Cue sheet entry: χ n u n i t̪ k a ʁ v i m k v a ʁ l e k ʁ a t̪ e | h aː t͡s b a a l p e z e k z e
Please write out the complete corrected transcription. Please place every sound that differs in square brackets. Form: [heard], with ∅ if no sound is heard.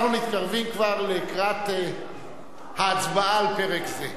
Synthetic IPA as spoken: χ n u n i t̪ k a ʁ v i m k v a ʁ l e k ʁ a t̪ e | h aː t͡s b a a l p e [ʁ] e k z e